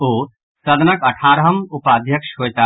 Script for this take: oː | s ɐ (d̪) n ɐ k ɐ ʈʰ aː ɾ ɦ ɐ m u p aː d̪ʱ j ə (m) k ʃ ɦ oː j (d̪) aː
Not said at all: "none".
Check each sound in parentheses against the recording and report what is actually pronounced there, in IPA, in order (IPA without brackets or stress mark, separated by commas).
d̪, none, t̪